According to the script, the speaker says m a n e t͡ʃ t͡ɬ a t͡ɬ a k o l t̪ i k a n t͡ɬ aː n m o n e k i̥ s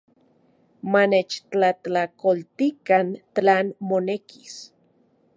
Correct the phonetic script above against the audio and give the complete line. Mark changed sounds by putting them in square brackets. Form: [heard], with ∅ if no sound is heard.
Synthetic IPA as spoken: m a n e t͡ʃ t͡ɬ a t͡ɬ a k o l t̪ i k a n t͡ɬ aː n m o n e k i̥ s